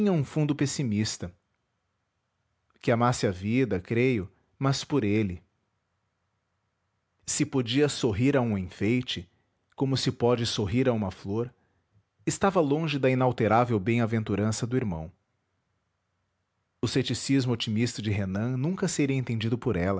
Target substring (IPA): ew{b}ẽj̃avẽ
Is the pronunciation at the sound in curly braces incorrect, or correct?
correct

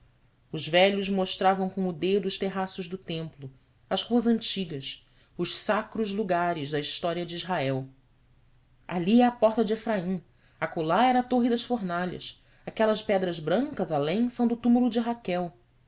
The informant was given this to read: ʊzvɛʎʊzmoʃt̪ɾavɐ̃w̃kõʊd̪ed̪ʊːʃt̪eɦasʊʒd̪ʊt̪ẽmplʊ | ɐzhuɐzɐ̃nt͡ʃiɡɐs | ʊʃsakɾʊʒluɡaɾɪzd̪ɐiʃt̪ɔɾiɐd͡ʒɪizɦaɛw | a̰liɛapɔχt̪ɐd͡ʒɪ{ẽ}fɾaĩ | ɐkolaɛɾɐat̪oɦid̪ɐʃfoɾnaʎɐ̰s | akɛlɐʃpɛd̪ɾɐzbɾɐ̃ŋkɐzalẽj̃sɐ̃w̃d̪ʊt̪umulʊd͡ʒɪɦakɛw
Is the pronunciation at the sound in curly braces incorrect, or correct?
incorrect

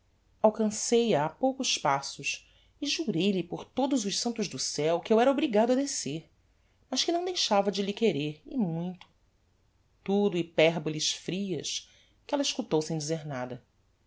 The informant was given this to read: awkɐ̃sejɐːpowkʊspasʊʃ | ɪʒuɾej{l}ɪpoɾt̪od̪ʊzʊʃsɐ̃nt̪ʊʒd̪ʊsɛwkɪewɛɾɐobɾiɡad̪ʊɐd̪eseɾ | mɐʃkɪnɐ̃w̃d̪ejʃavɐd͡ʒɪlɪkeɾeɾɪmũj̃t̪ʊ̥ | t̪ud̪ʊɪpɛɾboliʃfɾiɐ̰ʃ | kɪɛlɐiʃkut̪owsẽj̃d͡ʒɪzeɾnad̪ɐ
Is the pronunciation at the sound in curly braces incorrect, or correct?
correct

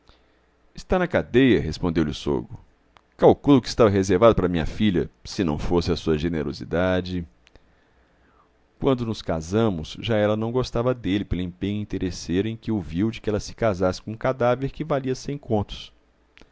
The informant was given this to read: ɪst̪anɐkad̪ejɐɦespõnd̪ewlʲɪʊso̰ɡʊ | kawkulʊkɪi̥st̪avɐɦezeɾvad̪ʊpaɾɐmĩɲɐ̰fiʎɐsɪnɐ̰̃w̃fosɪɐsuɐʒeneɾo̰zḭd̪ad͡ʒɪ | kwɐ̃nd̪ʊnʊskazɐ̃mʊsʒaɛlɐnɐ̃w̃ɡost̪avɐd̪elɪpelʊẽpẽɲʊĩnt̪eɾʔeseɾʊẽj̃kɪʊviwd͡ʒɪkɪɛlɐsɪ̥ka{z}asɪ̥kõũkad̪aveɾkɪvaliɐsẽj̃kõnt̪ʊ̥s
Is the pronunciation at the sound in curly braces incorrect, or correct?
correct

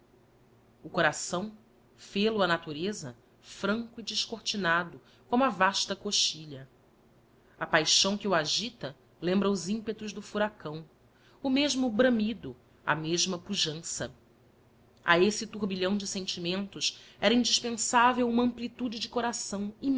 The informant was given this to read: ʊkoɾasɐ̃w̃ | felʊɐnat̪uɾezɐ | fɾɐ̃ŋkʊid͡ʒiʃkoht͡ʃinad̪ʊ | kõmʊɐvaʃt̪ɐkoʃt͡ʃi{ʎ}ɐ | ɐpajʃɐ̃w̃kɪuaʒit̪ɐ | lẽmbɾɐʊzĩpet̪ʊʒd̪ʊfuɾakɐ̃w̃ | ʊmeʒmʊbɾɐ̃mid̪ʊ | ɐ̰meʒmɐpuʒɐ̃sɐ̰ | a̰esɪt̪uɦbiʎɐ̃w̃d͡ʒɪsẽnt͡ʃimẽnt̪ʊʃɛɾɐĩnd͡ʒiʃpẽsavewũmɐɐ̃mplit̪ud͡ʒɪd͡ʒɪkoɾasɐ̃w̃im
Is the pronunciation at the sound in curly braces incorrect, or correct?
correct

